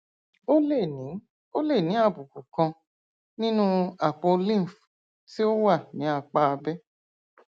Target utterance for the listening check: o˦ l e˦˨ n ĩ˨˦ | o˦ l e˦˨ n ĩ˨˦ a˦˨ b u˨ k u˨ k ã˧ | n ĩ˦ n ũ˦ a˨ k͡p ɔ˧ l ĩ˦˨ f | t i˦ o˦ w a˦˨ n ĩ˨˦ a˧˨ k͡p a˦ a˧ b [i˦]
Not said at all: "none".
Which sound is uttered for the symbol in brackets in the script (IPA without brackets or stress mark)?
ɛ˦